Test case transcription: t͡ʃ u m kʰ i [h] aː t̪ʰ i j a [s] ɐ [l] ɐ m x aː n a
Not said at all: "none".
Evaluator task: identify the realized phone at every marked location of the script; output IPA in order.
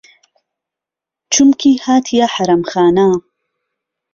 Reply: h, ħ, ɾ

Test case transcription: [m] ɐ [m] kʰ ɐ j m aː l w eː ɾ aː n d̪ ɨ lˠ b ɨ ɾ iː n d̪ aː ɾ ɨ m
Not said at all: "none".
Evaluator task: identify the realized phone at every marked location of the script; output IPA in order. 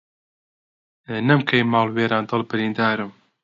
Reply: n, m

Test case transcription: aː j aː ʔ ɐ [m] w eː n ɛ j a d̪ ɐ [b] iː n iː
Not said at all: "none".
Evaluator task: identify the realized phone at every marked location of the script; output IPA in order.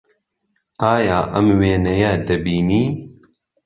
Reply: m, b

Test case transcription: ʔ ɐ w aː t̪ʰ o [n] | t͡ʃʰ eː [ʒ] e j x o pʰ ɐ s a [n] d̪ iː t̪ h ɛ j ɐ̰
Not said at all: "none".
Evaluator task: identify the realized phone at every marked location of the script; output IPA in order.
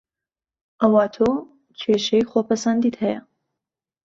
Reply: none, ʃ, n

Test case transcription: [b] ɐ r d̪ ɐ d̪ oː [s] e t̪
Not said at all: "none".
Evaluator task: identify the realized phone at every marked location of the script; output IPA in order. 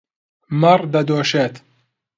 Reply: m, ʃ

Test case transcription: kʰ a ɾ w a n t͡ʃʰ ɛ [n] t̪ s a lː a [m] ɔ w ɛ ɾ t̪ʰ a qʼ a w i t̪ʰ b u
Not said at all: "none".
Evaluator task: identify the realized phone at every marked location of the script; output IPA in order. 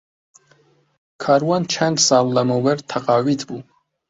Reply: n, m

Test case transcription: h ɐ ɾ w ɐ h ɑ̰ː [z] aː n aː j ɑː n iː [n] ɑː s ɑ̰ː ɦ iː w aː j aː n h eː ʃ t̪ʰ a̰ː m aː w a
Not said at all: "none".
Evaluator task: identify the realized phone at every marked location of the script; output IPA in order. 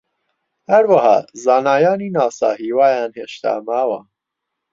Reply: z, n

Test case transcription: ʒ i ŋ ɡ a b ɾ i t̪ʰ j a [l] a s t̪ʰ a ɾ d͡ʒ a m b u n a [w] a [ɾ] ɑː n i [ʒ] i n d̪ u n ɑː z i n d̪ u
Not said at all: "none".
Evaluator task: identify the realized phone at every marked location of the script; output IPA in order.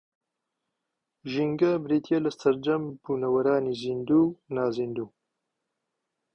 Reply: l, w, ɾ, z

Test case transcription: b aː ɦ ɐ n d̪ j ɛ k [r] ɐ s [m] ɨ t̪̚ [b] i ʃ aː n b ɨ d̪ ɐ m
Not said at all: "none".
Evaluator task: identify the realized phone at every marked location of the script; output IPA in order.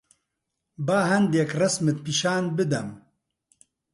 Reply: r, m, p

